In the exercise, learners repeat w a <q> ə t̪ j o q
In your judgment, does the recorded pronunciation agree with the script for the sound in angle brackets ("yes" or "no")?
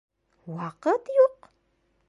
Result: yes